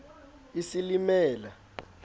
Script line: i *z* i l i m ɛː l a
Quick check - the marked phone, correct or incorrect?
incorrect